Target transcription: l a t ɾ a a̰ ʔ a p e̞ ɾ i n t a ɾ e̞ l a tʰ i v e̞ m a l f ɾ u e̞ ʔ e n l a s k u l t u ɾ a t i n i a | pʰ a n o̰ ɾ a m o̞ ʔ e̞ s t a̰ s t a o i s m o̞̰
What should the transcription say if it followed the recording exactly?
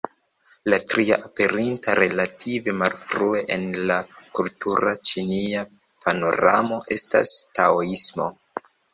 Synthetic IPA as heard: l a t ɾ i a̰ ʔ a p e̞ ɾ i n t a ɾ e̞ l a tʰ i v e̞ m a l f ɾ u e̞ ʔ e n l a k u l t u ɾ a t͡ʃ i n i a | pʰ a n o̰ ɾ a m o̞ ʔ e̞ s t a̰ s t a o i s m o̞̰

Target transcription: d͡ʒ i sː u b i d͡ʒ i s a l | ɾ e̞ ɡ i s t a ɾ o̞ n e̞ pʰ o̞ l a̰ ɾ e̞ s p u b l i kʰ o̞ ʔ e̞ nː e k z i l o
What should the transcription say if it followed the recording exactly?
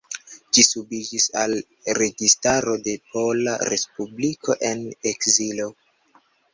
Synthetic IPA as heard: d͡ʒ i s u b i d͡ʒ i s a l | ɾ e̞ ɡ i s t a ɾ o̞ d e̞ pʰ o̞ l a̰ ɾ e̞ s p u b l i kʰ o̞ ʔ e̞ n e k z i l o

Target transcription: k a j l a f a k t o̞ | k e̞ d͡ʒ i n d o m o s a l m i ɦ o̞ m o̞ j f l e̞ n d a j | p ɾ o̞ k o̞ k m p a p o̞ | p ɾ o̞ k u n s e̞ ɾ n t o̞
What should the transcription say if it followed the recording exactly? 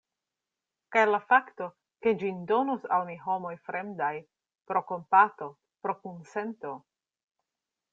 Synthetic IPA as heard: k a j l a f a k t o̞ | k e̞ d͡ʒ i n d o n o s a l m i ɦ o̞ m o̞ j f ɾ e̞ m d a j | p ɾ o̞ k o̞ m p a t o̞ | p ɾ o̞ k u n s e̞ n t o̞

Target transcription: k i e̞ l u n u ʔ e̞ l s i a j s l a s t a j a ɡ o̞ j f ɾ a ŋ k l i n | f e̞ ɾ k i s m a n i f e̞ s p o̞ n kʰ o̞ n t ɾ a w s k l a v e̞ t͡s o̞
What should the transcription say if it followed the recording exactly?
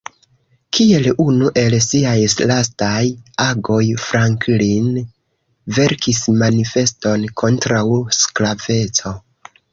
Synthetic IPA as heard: k i e̞ l u n u ʔ e̞ l s i a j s l a s t a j a ɡ o̞ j f ɾ a ŋ k l i n | v e̞ ɾ k i s m a n i f e̞ s t o̞ n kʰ o̞ n t ɾ a w s k l a v e̞ t͡s o̞

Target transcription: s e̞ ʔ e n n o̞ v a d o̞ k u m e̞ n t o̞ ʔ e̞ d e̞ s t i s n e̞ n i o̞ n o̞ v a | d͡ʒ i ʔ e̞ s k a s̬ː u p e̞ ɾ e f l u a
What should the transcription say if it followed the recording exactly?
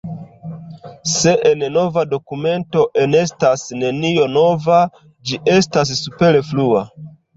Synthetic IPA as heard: s e̞ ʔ e n n o̞ v a d o̞ k u m e̞ n t o̞ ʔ e̞ n e̞ s t a s n e̞ n i o̞ n o̞ v a | d͡ʒ i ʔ e̞ s t a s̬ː u p e̞ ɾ e f l u a

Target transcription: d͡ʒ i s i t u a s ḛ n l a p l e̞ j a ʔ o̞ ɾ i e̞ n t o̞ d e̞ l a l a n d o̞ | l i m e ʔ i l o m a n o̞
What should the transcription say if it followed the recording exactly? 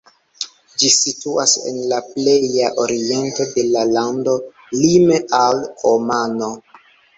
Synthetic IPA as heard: d͡ʒ i s i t u a s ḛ n l a p l e̞ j a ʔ o̞ ɾ i e̞ n t o̞ d e̞ l a l a n d o̞ | l i m e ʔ a l o m a n o̞

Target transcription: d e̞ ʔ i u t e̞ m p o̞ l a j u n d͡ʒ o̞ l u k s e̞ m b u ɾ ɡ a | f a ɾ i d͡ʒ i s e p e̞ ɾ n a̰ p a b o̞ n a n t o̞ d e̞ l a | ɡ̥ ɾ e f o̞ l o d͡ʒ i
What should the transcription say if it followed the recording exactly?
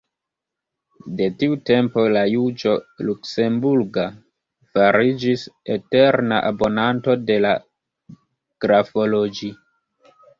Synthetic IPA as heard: d e̞ t i u t e̞ m p o̞ l a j u d͡ʒ o̞ l u k s e̞ m b u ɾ ɡ a | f a ɾ i d͡ʒ i s e t e̞ ɾ n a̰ ʔ a b o̞ n a n t o̞ d e̞ l a | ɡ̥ ɾ a f o̞ l o d͡ʒ i

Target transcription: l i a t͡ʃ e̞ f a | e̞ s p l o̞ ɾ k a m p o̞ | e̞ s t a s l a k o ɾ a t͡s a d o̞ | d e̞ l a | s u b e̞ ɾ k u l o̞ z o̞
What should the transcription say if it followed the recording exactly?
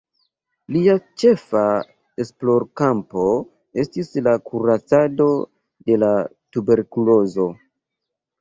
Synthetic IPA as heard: l i a t͡ʃ e̞ f a | e̞ s p l o̞ ɾ k a m p o̞ | e̞ s t i s l a k u ɾ a t͡s a d o̞ | d e̞ l a | t u b e̞ ɾ k u l o̞ z o̞

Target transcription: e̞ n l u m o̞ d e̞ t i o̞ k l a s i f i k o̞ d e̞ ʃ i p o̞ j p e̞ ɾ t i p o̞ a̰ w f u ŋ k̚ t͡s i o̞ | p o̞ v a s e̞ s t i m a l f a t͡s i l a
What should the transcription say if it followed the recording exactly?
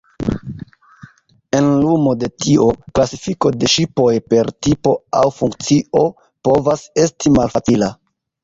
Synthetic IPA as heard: e̞ n l u m o̞ d e̞ t i o̞ k l a s i f i k o̞ d e̞ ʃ i p o̞ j p e̞ ɾ t i p o̞ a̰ w f u ŋ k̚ t͡s i o̞ | p o̞ v a s e̞ s t i m a l f a t͡s i l a

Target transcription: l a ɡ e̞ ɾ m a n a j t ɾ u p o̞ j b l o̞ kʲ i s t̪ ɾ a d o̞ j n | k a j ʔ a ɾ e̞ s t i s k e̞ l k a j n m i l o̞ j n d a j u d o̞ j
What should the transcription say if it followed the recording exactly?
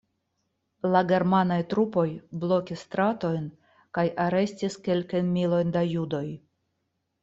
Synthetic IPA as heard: l a ɡ e̞ ɾ m a n a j t ɾ u p o̞ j b l o̞ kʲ i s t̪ ɾ a t o̞ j n | k a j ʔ a ɾ e̞ s t i s k e̞ l k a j n m i l o̞ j n d a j u d o̞ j

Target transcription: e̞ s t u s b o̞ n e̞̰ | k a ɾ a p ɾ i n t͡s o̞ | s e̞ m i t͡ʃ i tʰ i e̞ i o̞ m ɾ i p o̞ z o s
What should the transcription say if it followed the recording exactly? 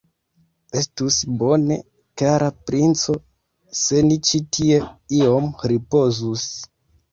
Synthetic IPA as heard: e̞ s t u s b o̞ n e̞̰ | k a ɾ a p ɾ i n t͡s o̞ | s e̞ n i t͡ʃ i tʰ i e̞ i o̞ m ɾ i p o̞ z u s

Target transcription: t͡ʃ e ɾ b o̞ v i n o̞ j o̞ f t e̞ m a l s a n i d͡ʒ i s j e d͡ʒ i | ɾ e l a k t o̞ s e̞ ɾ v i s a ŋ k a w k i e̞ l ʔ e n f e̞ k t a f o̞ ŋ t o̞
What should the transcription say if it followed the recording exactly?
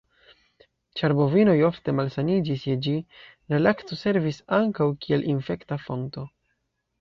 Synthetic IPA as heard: t͡ʃ a ɾ b o̞ v i n o̞ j o̞ f t e̞ m a l s a n i d͡ʒ i s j e d͡ʒ i | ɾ e l a k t o̞ s e̞ ɾ v i s a ŋ k a w k i e̞ l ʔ i n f e̞ k t a f o̞ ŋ t o̞

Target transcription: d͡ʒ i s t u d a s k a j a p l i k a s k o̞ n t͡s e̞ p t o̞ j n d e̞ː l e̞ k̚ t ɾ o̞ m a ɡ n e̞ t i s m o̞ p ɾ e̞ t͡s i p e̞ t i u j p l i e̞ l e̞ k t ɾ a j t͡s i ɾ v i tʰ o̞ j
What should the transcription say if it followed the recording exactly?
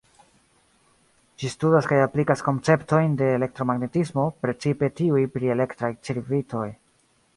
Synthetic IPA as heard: d͡ʒ i s t u d a s k a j a p l i k a s k o̞ n t͡s e̞ p t o̞ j n d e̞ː l e̞ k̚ t ɾ o̞ m a ɡ n e̞ t i s m o̞ p ɾ e̞ t͡s i p e̞ t i u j p ɾ i e̞ l e̞ k t ɾ a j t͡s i ɾ v i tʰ o̞ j

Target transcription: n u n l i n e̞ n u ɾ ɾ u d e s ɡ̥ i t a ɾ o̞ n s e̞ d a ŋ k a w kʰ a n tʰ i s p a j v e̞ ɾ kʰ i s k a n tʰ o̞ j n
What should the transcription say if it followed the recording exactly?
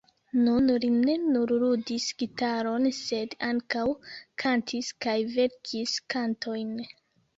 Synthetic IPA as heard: n u n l i n e̞ n u ɾ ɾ u d i s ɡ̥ i t a ɾ o̞ n s e̞ d a ŋ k a w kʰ a n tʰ i s k a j v e̞ ɾ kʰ i s k a n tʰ o̞ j n

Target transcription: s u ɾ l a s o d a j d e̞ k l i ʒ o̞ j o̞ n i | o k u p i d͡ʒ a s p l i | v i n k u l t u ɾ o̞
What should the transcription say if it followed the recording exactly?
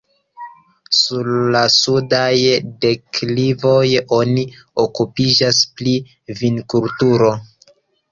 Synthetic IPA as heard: s u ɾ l a s u d a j d e̞ k l i v o̞ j o̞ n i | o k u p i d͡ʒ a s p l i | v i n k u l t u ɾ o̞

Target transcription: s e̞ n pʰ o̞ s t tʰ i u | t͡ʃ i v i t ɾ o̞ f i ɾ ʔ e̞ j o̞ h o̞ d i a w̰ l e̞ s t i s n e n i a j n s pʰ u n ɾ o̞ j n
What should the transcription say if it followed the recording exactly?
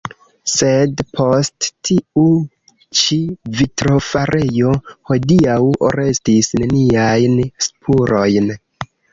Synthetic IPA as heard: s e̞ d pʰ o̞ s t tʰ i u | t͡ʃ i v i t ɾ o̞ f a ɾ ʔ e̞ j o̞ h o̞ d i a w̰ ɾ e̞ s t i s n e n i a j n s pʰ u ɾ o̞ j n

